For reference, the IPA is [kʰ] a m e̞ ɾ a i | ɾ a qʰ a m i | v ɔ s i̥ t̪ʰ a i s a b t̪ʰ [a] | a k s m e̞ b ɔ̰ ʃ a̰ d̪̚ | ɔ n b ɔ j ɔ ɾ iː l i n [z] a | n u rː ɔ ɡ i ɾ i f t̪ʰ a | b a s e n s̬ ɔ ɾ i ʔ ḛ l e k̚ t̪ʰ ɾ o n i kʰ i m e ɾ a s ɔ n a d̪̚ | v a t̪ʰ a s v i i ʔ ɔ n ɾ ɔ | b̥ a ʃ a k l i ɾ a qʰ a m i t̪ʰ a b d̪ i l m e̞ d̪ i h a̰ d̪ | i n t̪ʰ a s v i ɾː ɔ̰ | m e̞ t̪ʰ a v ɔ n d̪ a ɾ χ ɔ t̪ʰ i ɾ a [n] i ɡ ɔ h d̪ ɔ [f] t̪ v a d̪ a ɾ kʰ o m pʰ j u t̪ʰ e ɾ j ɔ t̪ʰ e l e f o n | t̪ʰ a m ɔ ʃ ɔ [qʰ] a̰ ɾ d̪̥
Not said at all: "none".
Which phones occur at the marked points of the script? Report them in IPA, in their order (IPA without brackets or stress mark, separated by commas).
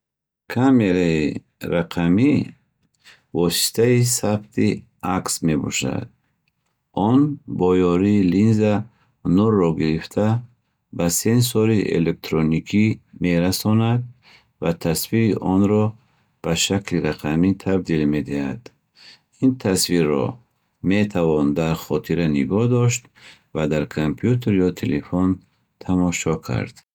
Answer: kʰ, i, z, n, ʃ, kʰ